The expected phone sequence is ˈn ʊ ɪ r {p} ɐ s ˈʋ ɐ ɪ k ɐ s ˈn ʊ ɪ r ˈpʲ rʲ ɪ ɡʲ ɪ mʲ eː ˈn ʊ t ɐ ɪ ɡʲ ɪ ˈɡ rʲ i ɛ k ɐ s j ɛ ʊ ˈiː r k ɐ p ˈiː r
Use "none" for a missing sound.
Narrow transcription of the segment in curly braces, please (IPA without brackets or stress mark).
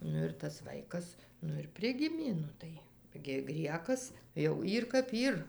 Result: t